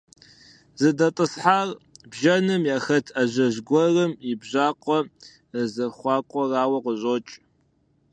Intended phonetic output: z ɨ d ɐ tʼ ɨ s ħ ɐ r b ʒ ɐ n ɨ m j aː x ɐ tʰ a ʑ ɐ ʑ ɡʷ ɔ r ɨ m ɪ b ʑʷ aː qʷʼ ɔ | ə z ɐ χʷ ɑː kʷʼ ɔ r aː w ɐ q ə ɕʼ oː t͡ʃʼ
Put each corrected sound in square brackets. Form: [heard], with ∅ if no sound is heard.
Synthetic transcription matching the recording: z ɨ d ɐ tʼ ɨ s ħ [a] r b ʒ ɐ n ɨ m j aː x ɐ tʰ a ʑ ɐ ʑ ɡʷ ɔ r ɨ m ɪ b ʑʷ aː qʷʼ ɔ | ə z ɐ χʷ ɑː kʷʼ ɔ r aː w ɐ q ə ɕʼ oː t͡ʃʼ